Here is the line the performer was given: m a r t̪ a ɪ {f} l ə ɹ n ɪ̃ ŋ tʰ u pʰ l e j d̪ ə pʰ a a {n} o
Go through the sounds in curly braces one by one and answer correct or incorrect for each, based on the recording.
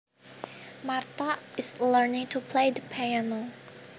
incorrect, correct

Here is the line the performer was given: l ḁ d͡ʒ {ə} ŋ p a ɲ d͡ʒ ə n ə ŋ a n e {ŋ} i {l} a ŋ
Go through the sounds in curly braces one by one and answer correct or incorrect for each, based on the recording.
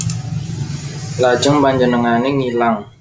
correct, correct, correct

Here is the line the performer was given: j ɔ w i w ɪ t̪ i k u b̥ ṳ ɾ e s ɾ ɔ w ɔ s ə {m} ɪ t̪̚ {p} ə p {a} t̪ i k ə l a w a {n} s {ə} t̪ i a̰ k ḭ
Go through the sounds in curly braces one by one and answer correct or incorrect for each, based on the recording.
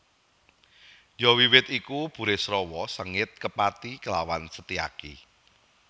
incorrect, incorrect, correct, correct, correct

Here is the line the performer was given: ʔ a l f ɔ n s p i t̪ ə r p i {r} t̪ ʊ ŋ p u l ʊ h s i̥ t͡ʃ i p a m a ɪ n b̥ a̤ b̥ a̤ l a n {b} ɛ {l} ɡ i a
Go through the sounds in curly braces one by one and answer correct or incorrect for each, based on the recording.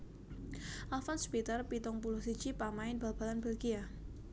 incorrect, correct, correct

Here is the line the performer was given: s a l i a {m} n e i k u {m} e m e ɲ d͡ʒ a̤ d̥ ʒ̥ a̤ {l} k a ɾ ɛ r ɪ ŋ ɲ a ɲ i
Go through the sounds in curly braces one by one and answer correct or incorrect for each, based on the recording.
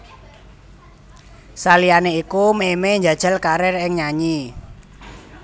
incorrect, correct, correct

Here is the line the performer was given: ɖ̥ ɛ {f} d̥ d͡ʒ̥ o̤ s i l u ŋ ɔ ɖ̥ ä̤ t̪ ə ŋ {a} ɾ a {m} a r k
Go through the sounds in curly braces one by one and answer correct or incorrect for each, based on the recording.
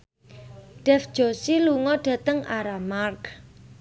correct, correct, correct

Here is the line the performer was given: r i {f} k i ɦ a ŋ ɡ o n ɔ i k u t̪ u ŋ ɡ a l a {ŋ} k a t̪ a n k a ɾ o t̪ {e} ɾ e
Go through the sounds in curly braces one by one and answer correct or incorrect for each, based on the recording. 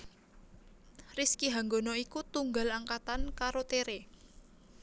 incorrect, correct, correct

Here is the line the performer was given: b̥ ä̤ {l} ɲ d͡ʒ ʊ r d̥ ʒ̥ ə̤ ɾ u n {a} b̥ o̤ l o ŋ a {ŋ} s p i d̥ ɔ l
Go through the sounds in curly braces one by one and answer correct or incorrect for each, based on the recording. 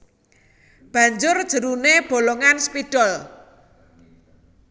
incorrect, incorrect, incorrect

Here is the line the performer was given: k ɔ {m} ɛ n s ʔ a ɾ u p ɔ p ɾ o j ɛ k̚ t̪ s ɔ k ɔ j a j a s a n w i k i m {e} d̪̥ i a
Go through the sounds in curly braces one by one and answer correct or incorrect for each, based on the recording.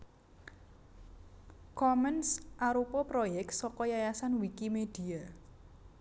correct, correct

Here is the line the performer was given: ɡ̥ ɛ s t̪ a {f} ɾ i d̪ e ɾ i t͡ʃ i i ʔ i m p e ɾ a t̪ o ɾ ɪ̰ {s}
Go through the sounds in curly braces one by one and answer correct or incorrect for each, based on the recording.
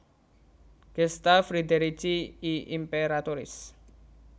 correct, correct

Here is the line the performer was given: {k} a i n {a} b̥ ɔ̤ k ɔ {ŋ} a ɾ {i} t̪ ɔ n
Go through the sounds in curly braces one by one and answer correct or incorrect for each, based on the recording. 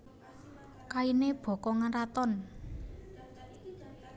correct, incorrect, correct, incorrect

